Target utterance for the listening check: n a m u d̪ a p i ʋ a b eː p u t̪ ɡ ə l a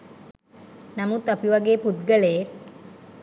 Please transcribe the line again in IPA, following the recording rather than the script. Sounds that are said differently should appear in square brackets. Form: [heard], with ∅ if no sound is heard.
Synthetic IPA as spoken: n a m u [t̪] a p i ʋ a [ɡ] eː p u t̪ ɡ ə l [e]